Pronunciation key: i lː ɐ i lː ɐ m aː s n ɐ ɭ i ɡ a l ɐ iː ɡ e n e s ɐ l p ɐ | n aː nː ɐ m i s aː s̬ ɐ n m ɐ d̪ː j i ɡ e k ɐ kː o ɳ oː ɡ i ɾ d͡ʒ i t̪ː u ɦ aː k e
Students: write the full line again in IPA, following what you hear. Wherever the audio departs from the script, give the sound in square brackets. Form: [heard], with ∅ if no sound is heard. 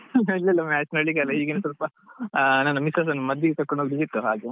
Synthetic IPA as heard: i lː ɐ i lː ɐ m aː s n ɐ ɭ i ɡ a l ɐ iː ɡ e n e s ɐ l p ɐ | n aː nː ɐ m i s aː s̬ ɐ n m ɐ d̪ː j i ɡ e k ɐ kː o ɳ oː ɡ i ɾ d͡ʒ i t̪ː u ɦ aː [ɡ] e